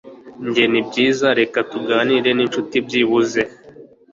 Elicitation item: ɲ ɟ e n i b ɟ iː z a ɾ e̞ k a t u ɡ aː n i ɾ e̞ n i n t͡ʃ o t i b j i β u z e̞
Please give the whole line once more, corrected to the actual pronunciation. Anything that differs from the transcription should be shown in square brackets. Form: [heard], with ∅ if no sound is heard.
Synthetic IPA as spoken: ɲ ɟ e n i b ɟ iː z a ɾ e̞ k a t u ɡ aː n i ɾ e̞ n i n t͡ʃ [u] t i b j i β u z e̞